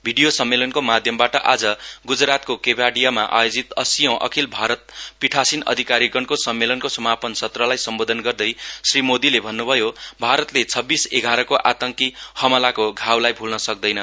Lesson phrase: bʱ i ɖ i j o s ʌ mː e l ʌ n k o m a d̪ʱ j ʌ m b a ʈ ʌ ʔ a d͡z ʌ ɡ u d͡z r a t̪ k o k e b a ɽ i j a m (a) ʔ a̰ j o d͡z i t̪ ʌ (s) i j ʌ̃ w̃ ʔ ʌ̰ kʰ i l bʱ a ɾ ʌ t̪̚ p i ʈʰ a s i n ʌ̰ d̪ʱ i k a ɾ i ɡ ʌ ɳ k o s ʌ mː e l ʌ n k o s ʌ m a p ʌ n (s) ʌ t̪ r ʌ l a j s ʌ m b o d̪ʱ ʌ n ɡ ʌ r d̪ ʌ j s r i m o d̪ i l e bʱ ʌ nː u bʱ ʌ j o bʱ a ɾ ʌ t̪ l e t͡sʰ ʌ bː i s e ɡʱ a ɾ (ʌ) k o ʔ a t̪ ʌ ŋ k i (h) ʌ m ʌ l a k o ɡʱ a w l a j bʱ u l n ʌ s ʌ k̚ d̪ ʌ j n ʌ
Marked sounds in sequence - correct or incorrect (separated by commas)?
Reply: correct, correct, correct, correct, correct